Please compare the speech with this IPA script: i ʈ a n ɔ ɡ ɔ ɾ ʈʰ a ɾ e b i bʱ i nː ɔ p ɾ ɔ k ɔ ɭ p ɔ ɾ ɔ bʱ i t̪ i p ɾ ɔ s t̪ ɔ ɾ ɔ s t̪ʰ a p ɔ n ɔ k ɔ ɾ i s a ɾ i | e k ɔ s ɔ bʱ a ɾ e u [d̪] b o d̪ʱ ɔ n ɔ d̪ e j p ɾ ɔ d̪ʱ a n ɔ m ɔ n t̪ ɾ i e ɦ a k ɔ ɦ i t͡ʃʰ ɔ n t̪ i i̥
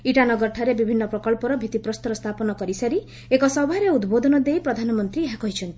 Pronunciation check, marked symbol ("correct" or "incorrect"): correct